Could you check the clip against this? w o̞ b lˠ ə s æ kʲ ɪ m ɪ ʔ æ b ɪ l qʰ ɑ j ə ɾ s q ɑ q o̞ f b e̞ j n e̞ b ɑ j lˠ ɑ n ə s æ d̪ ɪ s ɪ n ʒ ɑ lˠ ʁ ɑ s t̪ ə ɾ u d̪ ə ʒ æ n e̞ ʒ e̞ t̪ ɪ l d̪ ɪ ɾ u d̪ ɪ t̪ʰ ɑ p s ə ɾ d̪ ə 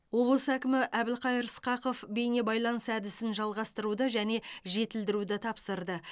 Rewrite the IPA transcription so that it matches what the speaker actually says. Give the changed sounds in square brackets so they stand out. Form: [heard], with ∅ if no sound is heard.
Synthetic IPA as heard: w o̞ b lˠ ə s æ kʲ ɪ m ɪ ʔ æ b ɪ l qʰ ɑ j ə ɾ s q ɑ q o̞ f b e̞ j n e̞ b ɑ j lˠ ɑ n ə s æ d̪ ɪ s ɪ n ʒ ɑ lˠ ʁ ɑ s t̪ ə ɾ u d̪ ə ʒ æ n e̞ ʒ e̞ t̪ ɪ l d̪ ɪ ɾ u d̪ ɪ t̪ʰ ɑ p s ə ɾ d̪ ə